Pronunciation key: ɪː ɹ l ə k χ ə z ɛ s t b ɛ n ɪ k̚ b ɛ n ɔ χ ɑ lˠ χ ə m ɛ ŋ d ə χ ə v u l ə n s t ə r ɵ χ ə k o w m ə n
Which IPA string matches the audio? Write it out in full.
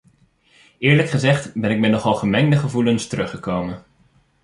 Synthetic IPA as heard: ɪː ɹ l ə k χ ə z ɛ χ t b ɛ n ɪ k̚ m ɛ n ɔ χ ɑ lˠ χ ə m ɛ ŋ d ə χ ə v u l ə n s t ə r ɵ χ ə k o w m ə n